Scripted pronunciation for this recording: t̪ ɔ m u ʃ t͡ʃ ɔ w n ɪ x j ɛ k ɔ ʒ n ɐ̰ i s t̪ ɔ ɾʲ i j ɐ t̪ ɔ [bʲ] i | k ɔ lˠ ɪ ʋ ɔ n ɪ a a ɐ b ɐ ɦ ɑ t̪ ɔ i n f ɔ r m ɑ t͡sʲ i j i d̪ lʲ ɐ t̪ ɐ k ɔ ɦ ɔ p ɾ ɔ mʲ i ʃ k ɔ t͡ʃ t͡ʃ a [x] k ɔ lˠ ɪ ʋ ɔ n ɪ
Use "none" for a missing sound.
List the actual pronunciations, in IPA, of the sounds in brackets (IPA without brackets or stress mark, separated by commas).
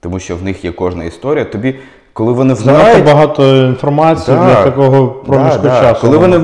bʲ, s